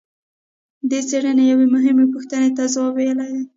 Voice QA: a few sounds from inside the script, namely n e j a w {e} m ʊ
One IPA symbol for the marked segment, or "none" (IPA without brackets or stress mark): e